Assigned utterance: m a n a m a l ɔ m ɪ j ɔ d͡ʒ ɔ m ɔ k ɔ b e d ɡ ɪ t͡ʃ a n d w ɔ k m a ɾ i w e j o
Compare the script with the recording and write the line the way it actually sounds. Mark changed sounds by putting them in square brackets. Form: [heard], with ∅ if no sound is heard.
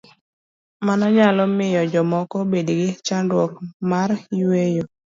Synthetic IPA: m a n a [ɲ] a l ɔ m ɪ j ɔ d͡ʒ ɔ m ɔ k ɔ b e d ɡ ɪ t͡ʃ a n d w ɔ k m a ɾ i w e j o